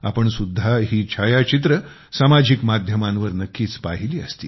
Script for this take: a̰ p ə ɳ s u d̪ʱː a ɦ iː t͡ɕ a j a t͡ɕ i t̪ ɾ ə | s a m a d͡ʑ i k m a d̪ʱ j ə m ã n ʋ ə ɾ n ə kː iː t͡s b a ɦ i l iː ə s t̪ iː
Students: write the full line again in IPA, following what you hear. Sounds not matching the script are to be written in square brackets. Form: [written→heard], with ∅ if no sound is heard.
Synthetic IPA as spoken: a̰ p ə ɳ s u d̪ʱː a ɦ iː [t͡ɕ→t͡ɕʰ] a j a t͡ɕ i t̪ ɾ ə | s a m a d͡ʑ i k m a d̪ʱ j ə m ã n ʋ ə ɾ n ə kː iː t͡s [b→p] a ɦ i l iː ə s t̪ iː

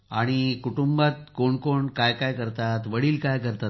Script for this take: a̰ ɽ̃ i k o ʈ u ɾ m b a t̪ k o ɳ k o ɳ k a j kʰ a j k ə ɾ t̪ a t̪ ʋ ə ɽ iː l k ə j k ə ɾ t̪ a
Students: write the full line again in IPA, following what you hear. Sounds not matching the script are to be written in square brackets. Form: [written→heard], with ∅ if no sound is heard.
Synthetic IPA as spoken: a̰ ɽ̃ i k [o→u] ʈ u [ɾ→∅] m b a t̪ k o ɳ k o ɳ k a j [kʰ→k] a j k ə ɾ t̪ a t̪ ʋ ə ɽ iː l k [ə→a] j k ə ɾ t̪ a

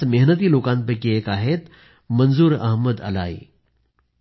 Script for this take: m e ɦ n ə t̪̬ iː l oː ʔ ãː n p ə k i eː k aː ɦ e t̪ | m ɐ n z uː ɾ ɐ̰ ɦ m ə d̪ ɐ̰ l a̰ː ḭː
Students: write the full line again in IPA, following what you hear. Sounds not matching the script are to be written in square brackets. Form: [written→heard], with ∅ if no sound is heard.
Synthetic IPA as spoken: m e ɦ n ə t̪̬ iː l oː [ʔ→k] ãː n p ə k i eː k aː ɦ e t̪ | m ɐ n z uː ɾ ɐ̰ ɦ m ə d̪ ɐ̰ l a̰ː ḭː

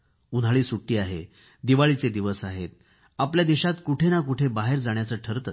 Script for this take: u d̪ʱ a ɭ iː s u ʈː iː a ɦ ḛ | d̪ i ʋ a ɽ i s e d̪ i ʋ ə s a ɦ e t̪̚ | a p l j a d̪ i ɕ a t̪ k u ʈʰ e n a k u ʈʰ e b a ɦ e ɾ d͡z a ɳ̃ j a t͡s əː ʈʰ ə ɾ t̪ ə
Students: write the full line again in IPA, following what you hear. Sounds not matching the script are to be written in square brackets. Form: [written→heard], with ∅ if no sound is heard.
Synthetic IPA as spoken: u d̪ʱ a ɭ iː s u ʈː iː a ɦ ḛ | d̪ i ʋ a [ɽ→ɭ] i [s→t͡s] e d̪ i ʋ ə s a ɦ e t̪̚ | a p l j a d̪ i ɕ a t̪ k u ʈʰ e n a k u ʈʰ e b a ɦ e ɾ d͡z a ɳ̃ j a t͡s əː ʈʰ ə ɾ t̪ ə

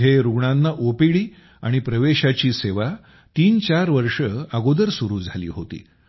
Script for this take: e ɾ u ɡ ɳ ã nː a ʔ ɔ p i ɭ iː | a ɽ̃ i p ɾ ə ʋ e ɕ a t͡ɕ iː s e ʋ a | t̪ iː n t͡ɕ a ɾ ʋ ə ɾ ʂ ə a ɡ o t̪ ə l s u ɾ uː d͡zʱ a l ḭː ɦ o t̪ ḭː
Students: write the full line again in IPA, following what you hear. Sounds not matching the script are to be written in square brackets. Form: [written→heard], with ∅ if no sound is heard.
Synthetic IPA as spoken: e ɾ u ɡ ɳ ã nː a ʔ [ɔ→o] p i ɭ iː | a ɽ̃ i p ɾ ə ʋ e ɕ a t͡ɕ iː s e ʋ a | t̪ iː n t͡ɕ a ɾ ʋ ə ɾ ʂ ə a ɡ o [t̪→d̪] ə [l→ɾ] s u ɾ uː d͡zʱ a l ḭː ɦ o t̪ ḭː

